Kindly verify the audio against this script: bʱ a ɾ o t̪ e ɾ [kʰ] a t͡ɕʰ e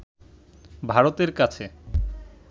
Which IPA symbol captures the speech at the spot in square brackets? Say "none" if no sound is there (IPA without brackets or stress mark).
k